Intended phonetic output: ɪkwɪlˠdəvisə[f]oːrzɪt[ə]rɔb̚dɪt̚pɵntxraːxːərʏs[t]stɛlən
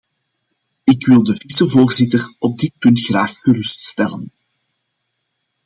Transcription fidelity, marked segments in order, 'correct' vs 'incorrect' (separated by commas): incorrect, correct, correct